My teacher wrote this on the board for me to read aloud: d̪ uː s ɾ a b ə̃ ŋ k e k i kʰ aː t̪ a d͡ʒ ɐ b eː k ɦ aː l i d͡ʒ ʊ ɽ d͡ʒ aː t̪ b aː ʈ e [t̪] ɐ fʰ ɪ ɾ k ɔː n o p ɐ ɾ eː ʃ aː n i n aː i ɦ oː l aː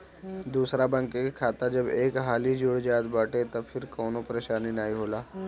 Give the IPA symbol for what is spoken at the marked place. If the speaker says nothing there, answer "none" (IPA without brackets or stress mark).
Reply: t̪